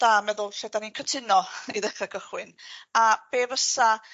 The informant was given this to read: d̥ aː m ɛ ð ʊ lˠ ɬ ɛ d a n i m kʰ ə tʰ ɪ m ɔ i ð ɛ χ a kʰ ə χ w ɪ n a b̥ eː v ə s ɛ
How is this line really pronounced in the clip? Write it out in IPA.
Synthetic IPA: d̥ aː m ɛ ð ʊ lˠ ɬ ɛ d a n i n kʰ ə tʰ ɪ n ɔ i ð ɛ χ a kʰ ə χ w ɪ n a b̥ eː v ə s a